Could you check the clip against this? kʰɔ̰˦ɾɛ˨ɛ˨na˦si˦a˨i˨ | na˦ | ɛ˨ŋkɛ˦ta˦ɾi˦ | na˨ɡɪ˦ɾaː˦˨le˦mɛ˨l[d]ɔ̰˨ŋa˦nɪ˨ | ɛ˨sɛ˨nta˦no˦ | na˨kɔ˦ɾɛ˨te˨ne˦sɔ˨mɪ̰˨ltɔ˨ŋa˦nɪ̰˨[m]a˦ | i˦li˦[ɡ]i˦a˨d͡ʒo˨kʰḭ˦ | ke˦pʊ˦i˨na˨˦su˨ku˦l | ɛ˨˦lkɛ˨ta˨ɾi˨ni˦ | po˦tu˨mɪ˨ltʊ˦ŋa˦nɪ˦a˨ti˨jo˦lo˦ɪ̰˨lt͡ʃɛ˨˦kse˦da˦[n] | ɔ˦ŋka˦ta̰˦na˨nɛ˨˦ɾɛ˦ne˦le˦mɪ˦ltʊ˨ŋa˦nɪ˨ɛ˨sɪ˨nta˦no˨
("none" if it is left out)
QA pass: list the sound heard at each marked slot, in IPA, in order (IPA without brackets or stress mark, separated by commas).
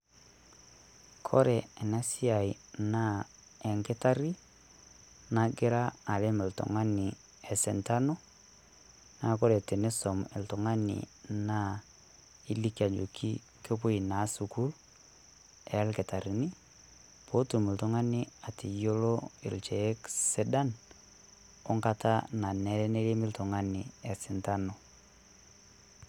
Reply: t, n, k, n